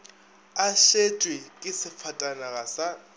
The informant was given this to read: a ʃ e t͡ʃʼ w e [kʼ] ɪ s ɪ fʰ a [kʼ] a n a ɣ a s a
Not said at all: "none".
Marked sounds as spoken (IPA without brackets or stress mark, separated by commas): kʼ, tʼ